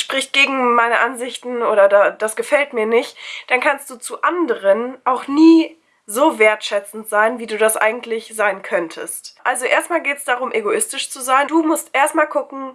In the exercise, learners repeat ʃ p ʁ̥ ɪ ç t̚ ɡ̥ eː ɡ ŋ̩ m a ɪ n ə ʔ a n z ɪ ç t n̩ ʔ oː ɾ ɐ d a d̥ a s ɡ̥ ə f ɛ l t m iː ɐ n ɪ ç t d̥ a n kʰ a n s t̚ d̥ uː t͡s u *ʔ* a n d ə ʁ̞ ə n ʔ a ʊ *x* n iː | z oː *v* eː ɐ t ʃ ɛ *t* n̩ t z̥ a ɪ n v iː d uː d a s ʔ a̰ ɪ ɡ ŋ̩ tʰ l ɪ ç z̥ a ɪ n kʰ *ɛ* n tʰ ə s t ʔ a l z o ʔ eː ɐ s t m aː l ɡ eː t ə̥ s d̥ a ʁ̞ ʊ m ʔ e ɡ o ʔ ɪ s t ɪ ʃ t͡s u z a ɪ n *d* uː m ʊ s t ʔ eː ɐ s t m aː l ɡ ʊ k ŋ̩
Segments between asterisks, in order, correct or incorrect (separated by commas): correct, correct, correct, incorrect, incorrect, correct